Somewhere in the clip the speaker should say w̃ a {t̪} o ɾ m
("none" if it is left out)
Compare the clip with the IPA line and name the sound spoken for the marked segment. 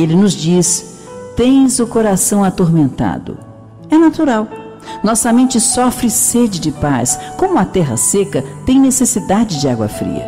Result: t̪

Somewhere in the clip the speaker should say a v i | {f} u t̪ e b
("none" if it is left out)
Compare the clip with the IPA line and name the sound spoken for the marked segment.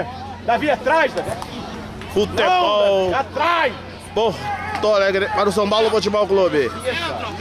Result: f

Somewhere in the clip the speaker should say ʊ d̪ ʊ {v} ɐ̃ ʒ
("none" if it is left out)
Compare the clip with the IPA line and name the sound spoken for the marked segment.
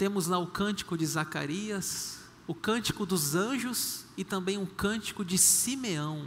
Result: z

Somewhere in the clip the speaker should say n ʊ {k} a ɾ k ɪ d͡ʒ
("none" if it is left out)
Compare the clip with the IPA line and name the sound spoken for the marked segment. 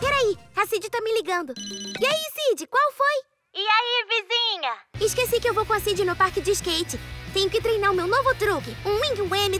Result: p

